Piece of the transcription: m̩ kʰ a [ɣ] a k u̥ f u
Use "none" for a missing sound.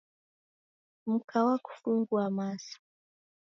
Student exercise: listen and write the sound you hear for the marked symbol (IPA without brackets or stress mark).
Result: w